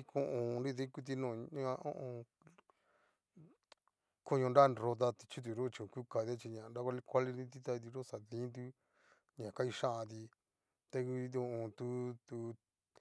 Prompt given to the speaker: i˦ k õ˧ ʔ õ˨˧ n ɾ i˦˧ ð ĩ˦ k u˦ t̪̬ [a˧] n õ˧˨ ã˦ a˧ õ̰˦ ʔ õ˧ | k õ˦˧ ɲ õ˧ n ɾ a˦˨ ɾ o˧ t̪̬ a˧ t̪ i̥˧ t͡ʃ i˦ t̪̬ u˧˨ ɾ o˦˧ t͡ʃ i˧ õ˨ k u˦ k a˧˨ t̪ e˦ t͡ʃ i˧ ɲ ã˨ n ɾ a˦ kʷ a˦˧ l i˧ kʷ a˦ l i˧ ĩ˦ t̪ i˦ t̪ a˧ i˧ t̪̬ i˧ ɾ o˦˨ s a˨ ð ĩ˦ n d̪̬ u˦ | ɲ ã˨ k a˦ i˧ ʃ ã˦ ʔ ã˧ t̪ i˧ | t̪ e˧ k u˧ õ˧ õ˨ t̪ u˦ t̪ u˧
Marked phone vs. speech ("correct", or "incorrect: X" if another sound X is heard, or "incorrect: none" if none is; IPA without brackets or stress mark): incorrect: i˧